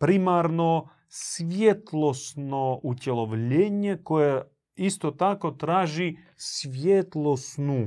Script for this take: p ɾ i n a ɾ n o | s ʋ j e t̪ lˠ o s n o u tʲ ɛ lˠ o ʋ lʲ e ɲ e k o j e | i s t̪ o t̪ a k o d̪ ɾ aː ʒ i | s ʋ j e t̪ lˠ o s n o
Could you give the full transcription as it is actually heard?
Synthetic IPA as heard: p ɾ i m a ɾ n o | s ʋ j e t̪ lˠ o s n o u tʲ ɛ lˠ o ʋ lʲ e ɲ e k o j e | i s t̪ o t̪ a k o t̪ ɾ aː ʒ i | s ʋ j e t̪ lˠ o s n u